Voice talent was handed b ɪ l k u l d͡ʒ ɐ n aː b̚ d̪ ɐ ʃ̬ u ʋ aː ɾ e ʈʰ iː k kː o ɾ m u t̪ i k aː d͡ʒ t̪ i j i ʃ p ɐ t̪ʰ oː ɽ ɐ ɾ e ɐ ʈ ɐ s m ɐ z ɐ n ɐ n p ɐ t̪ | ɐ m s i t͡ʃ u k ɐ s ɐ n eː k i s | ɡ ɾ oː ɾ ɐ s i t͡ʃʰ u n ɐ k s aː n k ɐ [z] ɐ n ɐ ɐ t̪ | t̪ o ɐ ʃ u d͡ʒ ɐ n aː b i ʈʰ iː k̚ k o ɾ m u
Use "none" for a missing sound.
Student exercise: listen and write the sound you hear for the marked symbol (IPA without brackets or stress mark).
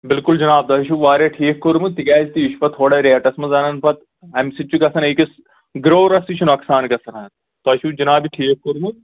s